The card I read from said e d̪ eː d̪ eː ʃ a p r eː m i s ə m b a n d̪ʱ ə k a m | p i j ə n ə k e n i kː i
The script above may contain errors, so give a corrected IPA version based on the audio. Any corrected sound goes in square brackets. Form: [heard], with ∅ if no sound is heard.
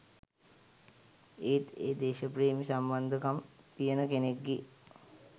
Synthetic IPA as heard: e [t̪] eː d̪ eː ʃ [ə] p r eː m i s [a] m b a n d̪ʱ ə k a m | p i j ə n ə k e n [e] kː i